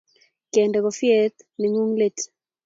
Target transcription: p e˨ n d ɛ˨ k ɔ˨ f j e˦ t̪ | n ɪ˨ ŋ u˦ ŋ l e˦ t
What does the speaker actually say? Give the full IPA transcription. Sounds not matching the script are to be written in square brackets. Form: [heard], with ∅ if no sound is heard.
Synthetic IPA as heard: [k] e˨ n d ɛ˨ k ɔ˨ f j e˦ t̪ | n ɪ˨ ŋ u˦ ŋ l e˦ t